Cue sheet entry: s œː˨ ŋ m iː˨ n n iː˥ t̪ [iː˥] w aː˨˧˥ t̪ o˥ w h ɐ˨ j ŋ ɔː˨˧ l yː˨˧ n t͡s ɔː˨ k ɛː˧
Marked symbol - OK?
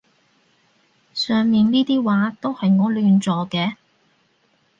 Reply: yes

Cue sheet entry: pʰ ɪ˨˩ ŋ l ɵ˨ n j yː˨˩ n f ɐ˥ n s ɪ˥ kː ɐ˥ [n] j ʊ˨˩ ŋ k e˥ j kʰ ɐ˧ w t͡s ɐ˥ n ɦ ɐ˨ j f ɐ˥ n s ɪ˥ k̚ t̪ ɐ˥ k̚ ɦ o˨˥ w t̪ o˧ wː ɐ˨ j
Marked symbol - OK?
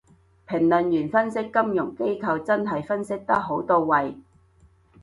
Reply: no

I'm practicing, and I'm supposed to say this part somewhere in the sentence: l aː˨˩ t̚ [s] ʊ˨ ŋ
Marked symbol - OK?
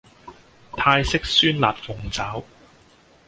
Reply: no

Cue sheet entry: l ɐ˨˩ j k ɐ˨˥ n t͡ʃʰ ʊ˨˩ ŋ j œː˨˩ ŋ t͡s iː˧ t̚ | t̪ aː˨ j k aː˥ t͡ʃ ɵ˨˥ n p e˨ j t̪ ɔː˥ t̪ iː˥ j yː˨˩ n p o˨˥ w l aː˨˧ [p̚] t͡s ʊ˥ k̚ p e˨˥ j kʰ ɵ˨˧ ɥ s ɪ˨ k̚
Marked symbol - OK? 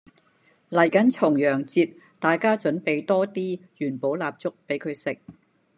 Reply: yes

